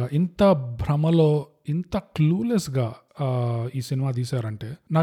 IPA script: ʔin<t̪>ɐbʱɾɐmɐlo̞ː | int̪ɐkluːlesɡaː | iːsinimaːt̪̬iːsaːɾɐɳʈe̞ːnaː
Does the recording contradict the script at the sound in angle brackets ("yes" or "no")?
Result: no